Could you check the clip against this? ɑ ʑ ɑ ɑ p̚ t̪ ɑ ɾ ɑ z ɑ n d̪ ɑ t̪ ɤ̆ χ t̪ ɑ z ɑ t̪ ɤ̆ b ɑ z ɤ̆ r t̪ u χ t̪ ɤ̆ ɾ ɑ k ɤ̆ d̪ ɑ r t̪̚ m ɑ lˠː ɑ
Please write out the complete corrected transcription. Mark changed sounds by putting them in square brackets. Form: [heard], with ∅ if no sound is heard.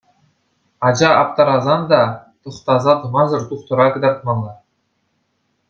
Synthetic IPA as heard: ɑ [d͡ʑ] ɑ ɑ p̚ t̪ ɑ ɾ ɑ z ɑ n d̪ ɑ t̪ ɤ̆ χ t̪ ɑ z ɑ t̪ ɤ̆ [m] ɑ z ɤ̆ r t̪ u χ t̪ ɤ̆ ɾ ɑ k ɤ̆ d̪ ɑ r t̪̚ m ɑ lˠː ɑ